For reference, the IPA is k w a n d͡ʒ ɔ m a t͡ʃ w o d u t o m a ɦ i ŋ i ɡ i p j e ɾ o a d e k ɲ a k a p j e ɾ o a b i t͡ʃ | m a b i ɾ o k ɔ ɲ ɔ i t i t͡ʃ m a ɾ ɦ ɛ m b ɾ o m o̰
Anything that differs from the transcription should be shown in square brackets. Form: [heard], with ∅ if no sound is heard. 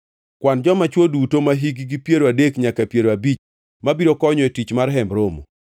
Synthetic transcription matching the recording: k w a n d͡ʒ ɔ m a t͡ʃ w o d u t o m a ɦ i [ɡ] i ɡ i p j e ɾ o a d e k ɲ a k a p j e ɾ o a b i t͡ʃ | m a b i ɾ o k ɔ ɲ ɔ [e] t i t͡ʃ m a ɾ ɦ ɛ m b ɾ o m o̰